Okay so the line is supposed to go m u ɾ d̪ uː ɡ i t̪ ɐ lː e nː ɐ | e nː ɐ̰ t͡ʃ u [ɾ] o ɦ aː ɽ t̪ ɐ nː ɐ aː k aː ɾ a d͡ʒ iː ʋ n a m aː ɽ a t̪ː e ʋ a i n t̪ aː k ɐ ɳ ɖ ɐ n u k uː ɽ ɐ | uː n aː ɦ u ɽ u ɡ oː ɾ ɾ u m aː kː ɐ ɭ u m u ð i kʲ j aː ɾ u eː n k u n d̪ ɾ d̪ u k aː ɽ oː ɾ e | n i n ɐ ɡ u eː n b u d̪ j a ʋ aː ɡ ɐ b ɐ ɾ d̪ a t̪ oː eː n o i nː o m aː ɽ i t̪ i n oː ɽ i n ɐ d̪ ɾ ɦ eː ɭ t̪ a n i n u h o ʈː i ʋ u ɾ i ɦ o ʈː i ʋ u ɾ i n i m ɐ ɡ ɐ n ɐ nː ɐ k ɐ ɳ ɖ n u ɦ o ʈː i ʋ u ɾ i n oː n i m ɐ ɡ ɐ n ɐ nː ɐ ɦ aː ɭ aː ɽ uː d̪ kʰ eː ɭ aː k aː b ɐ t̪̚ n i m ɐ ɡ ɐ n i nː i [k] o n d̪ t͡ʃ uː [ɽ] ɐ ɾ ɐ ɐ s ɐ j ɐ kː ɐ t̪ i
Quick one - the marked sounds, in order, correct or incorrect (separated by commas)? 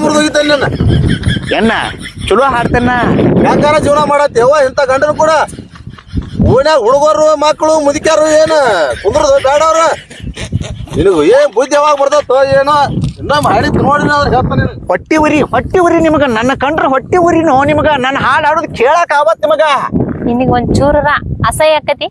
incorrect, incorrect, incorrect